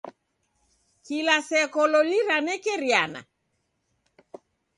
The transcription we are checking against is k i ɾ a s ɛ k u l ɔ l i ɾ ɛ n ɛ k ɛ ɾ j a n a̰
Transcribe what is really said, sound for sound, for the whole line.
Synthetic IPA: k i l a s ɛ k ɔ l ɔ l i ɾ a n ɛ k ɛ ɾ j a n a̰